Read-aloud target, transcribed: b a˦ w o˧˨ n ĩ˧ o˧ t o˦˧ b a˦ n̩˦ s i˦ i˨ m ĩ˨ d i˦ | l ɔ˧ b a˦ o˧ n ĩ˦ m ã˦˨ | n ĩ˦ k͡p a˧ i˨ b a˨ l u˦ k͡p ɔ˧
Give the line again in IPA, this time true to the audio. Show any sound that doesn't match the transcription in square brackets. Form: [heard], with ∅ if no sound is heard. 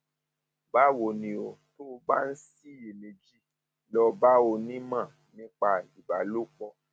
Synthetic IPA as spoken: b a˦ w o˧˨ n ĩ˧ o˧ t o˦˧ b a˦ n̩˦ s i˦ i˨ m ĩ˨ [d͡ʒ] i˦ | l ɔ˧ b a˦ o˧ n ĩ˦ m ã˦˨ | n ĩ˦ k͡p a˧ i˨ b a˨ l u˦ k͡p ɔ˧